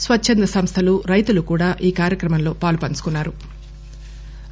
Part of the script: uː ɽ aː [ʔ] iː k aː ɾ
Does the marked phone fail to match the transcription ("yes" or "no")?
no